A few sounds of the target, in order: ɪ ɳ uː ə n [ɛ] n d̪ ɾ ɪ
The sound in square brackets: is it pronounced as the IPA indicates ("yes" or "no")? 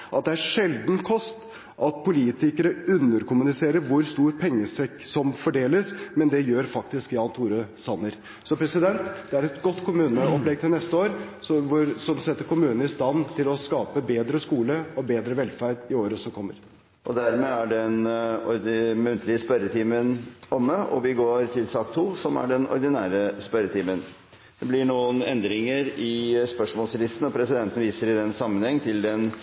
yes